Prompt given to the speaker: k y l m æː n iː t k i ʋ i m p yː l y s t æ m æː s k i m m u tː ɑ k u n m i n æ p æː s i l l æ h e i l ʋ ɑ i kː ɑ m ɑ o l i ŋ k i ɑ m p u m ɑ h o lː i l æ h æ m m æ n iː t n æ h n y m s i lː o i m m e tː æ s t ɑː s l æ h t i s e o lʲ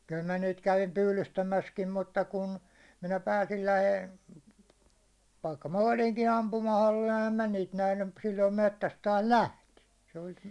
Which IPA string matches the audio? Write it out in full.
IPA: k y l m æ n iː t k æ ʋ i m p yː l y s t æ m æ s k i m m u tː ɑ k u n m i n æ p æː s i l l æ h e i l ʋ ɑ i kː ɑ m ɑ o l i ŋ k i ɑ m p u m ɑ h o lː i l æ h æ m m æ n iː t n æ h n y m s i lː o i m m e tː æ s t ɑː s l æ h t i s e o lʲ